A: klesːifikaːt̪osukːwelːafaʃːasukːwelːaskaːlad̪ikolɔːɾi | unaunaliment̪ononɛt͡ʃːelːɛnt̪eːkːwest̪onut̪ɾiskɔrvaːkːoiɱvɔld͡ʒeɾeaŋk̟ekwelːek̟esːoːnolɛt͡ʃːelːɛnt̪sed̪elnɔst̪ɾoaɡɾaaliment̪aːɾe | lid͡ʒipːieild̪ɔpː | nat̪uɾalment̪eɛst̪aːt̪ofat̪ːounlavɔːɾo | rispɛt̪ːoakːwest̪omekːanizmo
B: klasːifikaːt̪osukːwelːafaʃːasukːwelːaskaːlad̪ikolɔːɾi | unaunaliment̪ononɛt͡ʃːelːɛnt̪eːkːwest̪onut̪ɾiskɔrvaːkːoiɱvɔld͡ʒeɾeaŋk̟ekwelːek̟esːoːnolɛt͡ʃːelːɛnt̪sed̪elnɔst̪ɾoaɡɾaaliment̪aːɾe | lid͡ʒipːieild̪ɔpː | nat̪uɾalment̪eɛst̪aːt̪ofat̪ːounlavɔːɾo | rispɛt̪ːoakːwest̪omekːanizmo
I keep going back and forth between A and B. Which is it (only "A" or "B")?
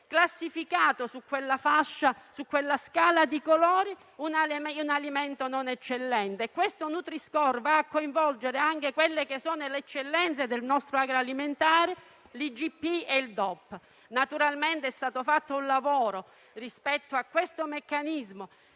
B